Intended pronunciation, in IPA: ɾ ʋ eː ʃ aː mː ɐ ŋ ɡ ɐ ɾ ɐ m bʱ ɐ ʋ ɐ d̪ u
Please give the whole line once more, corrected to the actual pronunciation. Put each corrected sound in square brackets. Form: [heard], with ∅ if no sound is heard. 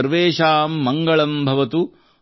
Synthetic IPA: ɾ ʋ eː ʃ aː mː ɐ ŋ ɡ ɐ [ɭ] ɐ m bʱ ɐ ʋ ɐ [t̪] u

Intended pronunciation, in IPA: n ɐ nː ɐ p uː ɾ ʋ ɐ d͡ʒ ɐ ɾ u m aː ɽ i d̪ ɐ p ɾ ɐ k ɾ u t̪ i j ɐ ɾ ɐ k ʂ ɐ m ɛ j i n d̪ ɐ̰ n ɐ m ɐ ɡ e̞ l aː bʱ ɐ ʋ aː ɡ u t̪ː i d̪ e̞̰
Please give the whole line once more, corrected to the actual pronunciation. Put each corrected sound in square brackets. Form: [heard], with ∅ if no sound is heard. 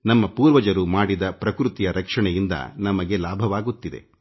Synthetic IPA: n ɐ [mː] ɐ p uː ɾ ʋ ɐ d͡ʒ ɐ ɾ u m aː ɽ i d̪ ɐ p ɾ ɐ k ɾ u t̪ i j ɐ ɾ ɐ k ʂ ɐ [ɳ] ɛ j i n d̪ ɐ̰ n ɐ m ɐ ɡ e̞ l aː bʱ ɐ ʋ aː ɡ u t̪ː i d̪ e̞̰

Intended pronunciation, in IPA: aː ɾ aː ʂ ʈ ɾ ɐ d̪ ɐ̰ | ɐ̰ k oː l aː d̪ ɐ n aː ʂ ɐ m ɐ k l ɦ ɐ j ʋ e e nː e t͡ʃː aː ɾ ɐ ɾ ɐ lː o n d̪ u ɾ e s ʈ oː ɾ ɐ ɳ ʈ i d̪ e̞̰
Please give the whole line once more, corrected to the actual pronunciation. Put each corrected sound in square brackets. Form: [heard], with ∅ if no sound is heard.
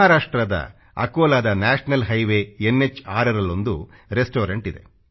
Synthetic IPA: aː ɾ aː ʂ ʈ ɾ ɐ d̪ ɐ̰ | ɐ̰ k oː l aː d̪ ɐ n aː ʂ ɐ [n] ɐ [∅] l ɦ ɐ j ʋ e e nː e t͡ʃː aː ɾ ɐ ɾ ɐ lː o n d̪ u ɾ e s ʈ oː ɾ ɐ ɳ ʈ i d̪ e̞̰

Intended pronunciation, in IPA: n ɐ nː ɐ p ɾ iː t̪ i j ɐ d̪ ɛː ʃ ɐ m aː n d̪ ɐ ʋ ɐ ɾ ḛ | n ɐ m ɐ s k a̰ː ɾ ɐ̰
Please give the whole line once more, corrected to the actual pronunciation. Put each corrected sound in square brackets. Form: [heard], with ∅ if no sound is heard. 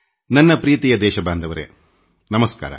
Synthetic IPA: n ɐ nː ɐ p ɾ iː t̪ i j ɐ d̪ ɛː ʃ ɐ [b] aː n d̪ ɐ ʋ ɐ ɾ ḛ | n ɐ m ɐ s k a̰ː ɾ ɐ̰

